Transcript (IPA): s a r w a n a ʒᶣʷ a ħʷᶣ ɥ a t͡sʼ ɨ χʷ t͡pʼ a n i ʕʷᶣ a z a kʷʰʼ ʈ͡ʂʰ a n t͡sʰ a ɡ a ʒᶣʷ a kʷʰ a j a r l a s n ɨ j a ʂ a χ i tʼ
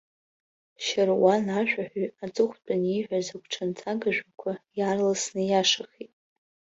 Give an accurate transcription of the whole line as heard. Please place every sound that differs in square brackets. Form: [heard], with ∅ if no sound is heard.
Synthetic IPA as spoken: [ʃ] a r w a n a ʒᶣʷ a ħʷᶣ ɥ a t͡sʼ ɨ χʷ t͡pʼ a n i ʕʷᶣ a z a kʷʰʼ ʈ͡ʂʰ a n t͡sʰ a ɡ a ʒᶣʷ a kʷʰ a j a r l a s n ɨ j a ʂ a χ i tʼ